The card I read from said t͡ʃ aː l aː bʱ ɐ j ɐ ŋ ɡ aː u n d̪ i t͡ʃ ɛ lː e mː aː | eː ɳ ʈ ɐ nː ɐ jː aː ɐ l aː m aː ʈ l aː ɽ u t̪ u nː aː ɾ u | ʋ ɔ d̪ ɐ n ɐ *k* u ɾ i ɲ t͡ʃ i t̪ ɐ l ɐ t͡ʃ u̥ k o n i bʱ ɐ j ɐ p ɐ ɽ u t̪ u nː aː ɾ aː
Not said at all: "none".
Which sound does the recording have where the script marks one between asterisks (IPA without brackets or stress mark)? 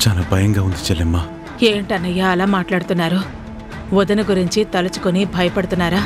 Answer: ɡ